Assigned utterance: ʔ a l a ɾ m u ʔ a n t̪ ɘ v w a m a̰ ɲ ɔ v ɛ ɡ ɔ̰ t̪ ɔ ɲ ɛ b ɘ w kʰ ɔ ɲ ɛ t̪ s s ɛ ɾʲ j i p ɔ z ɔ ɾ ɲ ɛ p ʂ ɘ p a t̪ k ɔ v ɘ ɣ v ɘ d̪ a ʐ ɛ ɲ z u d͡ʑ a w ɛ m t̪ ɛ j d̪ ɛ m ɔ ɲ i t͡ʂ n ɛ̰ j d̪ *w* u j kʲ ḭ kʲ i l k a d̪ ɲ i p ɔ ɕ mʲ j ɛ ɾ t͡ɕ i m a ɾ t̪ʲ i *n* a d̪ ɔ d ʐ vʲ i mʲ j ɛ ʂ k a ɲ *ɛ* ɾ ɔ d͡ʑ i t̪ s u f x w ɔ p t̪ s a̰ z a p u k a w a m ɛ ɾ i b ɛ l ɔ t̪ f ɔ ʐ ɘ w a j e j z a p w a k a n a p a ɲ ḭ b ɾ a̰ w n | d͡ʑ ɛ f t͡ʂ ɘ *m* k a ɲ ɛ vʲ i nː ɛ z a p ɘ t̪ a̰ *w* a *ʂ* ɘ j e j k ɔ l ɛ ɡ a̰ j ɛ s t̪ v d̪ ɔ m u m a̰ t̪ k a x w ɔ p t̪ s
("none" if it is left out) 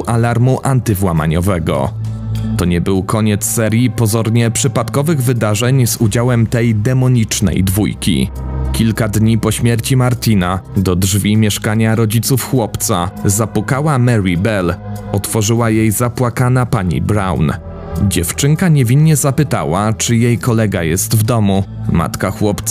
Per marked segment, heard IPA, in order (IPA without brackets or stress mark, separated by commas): v, n, a, ŋ, w, t͡ʂ